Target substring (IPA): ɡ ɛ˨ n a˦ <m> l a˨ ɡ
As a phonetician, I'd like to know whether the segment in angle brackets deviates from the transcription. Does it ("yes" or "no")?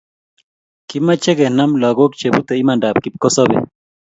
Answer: no